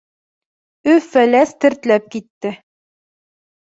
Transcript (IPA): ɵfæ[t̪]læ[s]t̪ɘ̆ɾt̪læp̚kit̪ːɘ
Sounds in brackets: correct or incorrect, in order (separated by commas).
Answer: incorrect, correct